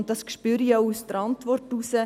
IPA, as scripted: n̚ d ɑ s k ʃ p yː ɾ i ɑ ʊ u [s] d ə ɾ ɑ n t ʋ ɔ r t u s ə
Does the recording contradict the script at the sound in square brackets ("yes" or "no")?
no